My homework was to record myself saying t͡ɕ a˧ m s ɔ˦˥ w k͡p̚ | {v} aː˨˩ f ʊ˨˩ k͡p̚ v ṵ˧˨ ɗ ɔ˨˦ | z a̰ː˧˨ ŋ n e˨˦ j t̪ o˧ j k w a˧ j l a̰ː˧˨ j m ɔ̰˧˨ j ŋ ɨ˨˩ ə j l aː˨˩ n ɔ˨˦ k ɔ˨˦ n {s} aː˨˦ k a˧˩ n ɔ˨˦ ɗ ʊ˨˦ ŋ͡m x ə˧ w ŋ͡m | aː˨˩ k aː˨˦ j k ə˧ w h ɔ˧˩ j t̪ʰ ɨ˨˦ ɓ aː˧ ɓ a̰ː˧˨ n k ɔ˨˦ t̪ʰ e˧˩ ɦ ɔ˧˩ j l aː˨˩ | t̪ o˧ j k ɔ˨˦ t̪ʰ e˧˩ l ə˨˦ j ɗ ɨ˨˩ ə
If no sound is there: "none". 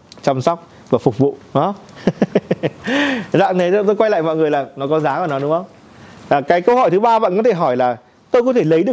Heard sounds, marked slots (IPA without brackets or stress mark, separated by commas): v, z